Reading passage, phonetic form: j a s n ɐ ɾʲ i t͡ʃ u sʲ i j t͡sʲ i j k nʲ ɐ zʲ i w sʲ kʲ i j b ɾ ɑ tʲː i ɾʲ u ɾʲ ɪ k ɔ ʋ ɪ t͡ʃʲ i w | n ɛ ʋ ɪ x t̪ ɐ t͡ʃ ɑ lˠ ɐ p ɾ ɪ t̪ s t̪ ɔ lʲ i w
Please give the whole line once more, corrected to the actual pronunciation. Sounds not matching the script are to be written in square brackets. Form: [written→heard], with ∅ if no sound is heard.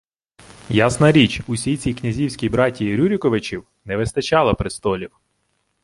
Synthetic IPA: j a s n ɐ ɾʲ i t͡ʃ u sʲ i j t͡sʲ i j k nʲ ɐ zʲ i w sʲ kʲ i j b ɾ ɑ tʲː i ɾʲ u ɾʲ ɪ k ɔ ʋ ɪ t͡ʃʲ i w | n ɛ ʋ ɪ [x→s] t̪ ɐ t͡ʃ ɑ lˠ ɐ p ɾ ɪ [t̪→∅] s t̪ ɔ lʲ i w